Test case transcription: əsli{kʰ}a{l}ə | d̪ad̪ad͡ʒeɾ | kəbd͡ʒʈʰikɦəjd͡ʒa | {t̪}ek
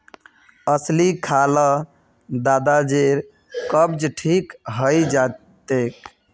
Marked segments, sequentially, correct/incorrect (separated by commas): correct, correct, correct